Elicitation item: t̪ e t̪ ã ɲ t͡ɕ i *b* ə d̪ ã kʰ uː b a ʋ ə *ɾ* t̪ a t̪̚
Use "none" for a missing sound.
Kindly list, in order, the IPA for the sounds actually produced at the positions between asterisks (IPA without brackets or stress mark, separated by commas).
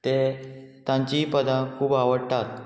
p, ɽ